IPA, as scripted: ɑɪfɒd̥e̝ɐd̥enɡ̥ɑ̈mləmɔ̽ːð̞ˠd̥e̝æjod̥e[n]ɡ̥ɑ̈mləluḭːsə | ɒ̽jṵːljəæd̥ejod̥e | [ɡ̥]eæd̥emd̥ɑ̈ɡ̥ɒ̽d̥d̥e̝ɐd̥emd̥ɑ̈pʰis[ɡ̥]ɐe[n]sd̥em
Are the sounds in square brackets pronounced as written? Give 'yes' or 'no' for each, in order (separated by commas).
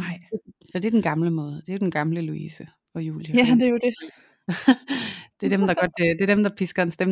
yes, no, yes, yes